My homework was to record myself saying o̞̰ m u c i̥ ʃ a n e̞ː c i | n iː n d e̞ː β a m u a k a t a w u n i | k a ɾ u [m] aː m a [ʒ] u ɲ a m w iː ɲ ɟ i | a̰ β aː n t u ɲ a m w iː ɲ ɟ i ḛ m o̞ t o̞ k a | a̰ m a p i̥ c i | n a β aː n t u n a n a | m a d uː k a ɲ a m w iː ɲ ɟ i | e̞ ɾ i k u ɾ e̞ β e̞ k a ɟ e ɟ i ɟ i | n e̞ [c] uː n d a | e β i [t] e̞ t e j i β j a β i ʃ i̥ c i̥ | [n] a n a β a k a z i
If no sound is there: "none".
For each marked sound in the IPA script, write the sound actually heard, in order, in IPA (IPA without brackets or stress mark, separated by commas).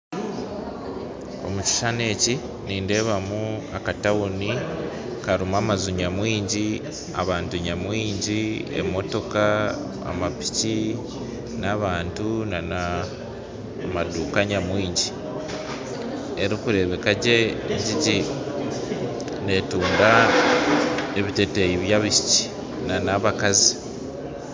m, z, t, t, n